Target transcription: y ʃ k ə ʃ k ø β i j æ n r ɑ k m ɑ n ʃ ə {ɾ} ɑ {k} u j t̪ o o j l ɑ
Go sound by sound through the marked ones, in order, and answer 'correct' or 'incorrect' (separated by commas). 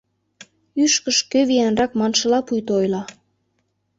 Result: incorrect, incorrect